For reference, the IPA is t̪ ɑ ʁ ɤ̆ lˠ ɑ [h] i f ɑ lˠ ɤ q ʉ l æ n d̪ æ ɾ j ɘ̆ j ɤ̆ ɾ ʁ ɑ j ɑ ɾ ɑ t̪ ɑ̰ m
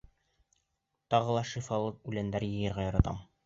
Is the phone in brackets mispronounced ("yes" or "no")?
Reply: yes